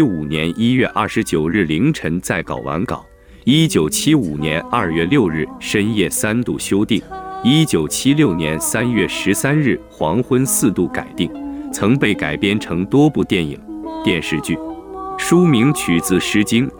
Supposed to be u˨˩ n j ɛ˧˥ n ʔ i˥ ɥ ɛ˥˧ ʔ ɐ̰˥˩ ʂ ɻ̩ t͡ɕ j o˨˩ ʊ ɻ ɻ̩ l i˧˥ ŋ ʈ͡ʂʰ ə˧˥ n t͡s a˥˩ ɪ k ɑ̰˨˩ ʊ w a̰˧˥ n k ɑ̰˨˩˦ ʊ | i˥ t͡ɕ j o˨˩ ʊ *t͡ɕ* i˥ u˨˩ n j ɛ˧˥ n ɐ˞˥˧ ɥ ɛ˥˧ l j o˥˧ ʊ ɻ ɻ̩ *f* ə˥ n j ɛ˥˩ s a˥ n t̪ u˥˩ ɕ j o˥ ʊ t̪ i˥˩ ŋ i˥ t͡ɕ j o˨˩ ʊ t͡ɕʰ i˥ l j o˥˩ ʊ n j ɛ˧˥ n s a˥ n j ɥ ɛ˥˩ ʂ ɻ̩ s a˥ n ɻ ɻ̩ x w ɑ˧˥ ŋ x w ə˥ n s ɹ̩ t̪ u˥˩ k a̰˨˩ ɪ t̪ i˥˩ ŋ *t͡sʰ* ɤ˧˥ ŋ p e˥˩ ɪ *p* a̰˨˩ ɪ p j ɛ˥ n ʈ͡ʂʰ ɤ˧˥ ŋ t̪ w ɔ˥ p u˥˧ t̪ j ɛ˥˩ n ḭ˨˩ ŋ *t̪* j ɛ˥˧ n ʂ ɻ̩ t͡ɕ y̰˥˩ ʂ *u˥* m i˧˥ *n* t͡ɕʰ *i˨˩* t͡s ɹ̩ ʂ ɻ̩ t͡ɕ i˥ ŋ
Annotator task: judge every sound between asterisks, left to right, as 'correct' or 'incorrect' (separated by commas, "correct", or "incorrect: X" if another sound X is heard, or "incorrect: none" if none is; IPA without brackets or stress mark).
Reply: incorrect: t͡ɕʰ, incorrect: ʂ, correct, incorrect: k, correct, correct, incorrect: ŋ, incorrect: y˨˩